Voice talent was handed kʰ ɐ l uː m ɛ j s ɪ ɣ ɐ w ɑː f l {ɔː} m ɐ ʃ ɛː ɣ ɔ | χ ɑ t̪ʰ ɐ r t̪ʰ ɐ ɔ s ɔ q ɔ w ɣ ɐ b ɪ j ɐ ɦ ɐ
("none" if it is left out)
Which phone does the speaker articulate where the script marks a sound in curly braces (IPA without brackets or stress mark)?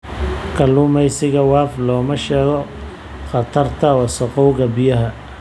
ɔː